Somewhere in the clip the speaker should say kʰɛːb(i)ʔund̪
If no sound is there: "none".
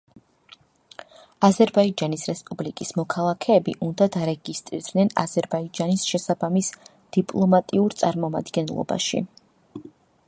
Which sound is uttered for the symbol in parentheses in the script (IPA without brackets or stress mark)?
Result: i